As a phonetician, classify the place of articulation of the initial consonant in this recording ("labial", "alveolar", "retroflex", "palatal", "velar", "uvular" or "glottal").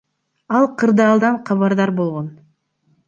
alveolar